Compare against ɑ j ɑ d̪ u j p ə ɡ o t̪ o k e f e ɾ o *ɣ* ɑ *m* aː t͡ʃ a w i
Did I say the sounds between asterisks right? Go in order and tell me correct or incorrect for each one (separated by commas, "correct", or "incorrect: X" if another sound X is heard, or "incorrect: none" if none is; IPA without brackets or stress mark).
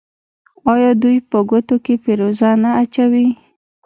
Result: incorrect: z, incorrect: n